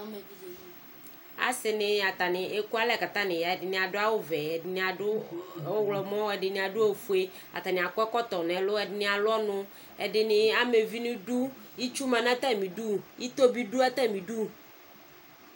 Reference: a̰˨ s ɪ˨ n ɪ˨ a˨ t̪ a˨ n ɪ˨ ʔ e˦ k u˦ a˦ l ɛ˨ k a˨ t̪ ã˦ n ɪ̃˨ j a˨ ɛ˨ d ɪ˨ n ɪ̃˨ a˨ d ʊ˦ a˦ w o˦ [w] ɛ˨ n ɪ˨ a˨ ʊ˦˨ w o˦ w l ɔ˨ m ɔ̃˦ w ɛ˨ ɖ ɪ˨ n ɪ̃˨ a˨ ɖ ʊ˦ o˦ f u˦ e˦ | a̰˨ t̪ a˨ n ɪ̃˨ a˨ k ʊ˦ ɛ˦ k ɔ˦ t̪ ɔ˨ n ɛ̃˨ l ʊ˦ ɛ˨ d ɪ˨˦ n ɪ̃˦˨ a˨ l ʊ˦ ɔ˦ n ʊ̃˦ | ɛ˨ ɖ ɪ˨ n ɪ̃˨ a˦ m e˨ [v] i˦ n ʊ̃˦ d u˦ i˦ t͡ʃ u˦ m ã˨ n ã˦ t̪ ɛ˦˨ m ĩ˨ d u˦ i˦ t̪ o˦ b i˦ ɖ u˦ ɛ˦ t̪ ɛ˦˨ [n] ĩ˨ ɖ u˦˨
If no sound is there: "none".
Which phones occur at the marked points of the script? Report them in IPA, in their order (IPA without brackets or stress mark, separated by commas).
v, v, m